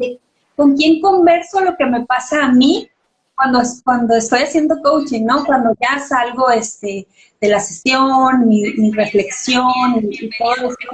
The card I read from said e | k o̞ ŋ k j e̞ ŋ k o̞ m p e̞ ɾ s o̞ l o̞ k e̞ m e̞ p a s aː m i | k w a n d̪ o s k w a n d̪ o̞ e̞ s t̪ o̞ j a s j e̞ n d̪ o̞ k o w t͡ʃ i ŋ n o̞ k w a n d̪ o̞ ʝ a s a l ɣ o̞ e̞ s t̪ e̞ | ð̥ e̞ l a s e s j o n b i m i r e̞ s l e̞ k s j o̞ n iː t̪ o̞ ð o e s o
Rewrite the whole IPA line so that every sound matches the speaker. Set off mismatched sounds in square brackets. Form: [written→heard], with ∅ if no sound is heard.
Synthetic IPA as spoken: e | k o̞ ŋ k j e̞ ŋ k o̞ m [p→b] e̞ ɾ s o̞ l o̞ k e̞ m e̞ p a s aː m i | k w a n d̪ o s k w a n d̪ o̞ e̞ s t̪ o̞ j a s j e̞ n d̪ o̞ k o w t͡ʃ i ŋ n o̞ k w a n d̪ o̞ ʝ a s a l ɣ o̞ e̞ s t̪ e̞ | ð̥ e̞ l a s e s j o n [b→m] i m i r e̞ [s→f] l e̞ k s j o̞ n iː t̪ o̞ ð o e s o